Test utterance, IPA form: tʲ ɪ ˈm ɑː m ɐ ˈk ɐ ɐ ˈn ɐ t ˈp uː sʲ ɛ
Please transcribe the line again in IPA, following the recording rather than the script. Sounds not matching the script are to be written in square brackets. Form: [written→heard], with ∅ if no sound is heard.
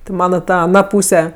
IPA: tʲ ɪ ˈm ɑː [m→n] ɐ [ˈk→ˈt] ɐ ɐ ˈn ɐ [t→∅] ˈp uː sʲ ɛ